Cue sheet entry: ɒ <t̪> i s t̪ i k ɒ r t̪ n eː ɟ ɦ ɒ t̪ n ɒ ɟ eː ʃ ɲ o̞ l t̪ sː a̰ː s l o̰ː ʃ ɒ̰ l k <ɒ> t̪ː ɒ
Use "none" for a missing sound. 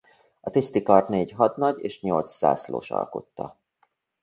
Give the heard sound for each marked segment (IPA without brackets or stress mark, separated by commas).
t̪, o